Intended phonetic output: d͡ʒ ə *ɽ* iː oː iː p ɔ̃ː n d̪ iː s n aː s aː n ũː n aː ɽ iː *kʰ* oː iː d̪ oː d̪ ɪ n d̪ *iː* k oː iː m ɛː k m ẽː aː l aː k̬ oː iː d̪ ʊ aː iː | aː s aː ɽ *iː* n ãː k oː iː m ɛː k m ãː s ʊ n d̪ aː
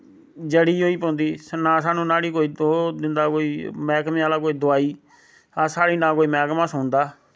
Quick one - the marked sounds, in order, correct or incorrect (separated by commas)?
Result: correct, incorrect, incorrect, correct